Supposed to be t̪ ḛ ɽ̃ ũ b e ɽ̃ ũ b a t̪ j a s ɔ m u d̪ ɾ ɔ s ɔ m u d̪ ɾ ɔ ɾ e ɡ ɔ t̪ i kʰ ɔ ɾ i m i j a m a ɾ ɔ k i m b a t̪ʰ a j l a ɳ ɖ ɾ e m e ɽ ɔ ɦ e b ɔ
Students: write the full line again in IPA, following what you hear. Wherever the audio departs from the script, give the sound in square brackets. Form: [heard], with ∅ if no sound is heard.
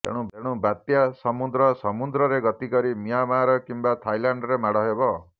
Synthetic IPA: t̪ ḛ ɽ̃ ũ b e ɽ̃ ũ b a t̪ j a s ɔ m u d̪ ɾ ɔ s ɔ m u d̪ ɾ ɔ ɾ e ɡ ɔ t̪ i [k] ɔ ɾ i m i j a m a ɾ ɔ k i m b a t̪ʰ a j l a ɳ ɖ ɾ e m [a] ɽ ɔ ɦ e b ɔ